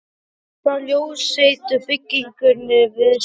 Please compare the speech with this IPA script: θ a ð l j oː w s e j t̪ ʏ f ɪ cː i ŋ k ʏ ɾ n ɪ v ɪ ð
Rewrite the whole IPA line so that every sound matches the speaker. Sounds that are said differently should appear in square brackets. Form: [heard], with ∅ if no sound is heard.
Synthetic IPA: θ a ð l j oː w s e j t̪ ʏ f ɪ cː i ŋ k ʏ ɾ n ɪ v ɪ ð